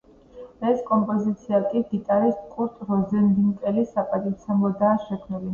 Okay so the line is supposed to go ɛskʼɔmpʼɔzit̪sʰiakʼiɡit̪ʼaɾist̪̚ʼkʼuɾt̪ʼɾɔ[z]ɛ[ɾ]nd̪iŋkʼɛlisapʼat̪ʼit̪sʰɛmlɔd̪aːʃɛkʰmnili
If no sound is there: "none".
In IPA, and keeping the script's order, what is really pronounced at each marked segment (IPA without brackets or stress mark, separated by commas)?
z, none